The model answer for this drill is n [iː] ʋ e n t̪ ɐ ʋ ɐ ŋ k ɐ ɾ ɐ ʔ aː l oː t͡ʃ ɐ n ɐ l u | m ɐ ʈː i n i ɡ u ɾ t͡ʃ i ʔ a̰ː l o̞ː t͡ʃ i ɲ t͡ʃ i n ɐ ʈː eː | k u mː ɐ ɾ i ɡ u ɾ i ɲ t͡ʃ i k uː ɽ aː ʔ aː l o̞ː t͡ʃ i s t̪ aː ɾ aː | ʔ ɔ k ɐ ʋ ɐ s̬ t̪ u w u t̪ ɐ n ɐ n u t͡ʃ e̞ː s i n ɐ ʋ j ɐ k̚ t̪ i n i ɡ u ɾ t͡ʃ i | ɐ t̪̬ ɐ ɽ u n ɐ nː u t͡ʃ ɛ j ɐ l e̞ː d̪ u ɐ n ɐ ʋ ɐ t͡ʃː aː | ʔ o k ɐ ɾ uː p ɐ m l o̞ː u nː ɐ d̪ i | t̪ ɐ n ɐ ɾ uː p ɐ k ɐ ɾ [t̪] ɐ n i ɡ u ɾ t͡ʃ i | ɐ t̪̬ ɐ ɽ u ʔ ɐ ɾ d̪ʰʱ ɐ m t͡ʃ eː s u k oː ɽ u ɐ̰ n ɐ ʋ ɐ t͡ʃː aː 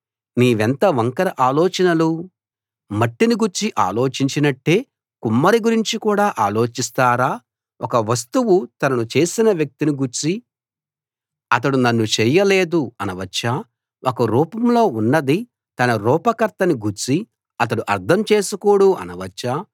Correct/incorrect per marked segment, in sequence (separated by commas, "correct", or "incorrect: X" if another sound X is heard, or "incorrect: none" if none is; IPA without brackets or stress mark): correct, correct